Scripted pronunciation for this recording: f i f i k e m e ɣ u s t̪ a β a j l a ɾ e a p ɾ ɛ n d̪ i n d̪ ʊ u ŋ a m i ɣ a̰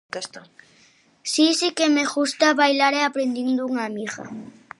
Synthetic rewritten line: s i s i k e m e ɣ u s t̪ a β a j l a ɾ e a p ɾ e n d̪ i n d̪ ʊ u ŋ a m i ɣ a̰

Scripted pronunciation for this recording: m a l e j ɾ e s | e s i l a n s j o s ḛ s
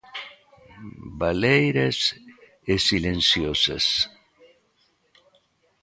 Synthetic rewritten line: b a l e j ɾ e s | e s i l e n s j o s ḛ s

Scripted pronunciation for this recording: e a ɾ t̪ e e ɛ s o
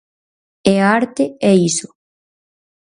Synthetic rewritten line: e a ɾ t̪ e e i s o

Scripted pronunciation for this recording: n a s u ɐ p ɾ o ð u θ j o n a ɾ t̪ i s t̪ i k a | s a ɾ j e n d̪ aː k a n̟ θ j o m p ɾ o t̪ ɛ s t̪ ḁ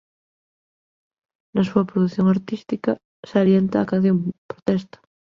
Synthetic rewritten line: n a s u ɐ p ɾ o ð u θ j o ŋ a ɾ t̪ i s t̪ i k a | s a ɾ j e n t̪ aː k a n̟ θ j o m p ɾ o t̪ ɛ s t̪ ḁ

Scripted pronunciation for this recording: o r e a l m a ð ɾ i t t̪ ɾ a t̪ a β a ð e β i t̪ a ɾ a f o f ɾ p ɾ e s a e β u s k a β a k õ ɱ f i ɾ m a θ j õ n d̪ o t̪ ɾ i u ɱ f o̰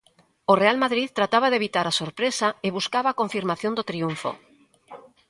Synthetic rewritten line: o r e a l m a ð ɾ i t t̪ ɾ a t̪ a β a ð e β i t̪ a ɾ a s o ɾ p ɾ e s a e β u s k a β a k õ ɱ f i ɾ m a θ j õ n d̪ o t̪ ɾ i u ɱ f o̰

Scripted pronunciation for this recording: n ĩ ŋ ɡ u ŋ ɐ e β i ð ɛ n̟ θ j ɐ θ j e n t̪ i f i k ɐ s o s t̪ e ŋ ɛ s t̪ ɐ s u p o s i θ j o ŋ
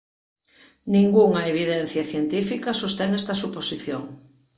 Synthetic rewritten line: n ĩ ŋ ɡ u ŋ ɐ e β i ð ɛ n̟ θ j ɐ θ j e n t̪ i f i k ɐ s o s t̪ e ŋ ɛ s t̪ ɐ s u p o s i θ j o ŋ

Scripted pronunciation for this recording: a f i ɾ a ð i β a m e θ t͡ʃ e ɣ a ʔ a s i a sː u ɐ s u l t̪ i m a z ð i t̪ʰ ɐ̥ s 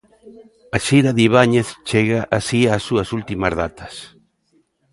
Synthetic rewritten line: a ʃ i ɾ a ð i β a ɲ e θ t͡ʃ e ɣ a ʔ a s i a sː u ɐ s u l t̪ i m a z ð a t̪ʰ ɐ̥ s

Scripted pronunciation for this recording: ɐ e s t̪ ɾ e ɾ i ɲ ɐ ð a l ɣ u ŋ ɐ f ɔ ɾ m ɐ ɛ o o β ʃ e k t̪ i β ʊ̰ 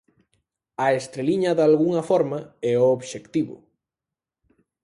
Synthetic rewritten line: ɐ e s t̪ ɾ e l i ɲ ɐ ð a l ɣ u ŋ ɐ f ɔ ɾ m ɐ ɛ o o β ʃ e k t̪ i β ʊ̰

